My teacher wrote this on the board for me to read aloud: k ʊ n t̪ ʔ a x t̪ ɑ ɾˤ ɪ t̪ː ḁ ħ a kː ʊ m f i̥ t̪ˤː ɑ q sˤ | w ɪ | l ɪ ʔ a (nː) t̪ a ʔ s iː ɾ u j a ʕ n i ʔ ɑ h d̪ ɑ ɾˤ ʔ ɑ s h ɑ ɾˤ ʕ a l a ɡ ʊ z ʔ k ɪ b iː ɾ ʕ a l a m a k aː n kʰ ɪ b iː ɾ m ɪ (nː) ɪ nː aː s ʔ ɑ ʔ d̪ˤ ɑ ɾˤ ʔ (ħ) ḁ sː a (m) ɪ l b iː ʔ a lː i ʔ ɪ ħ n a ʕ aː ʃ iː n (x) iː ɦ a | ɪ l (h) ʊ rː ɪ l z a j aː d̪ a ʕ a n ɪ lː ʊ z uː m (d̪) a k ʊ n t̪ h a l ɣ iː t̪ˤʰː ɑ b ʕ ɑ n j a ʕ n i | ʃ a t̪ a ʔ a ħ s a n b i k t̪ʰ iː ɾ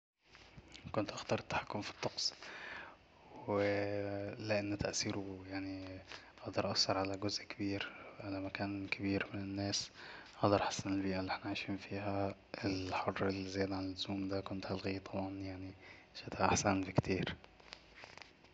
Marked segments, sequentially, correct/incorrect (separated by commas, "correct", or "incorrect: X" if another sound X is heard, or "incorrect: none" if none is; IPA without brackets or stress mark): correct, incorrect: n, correct, incorrect: n, incorrect: f, incorrect: ħ, correct